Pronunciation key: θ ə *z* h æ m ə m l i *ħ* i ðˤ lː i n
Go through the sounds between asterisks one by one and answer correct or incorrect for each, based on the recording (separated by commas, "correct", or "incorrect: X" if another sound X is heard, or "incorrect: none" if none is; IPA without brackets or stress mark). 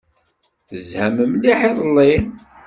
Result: correct, correct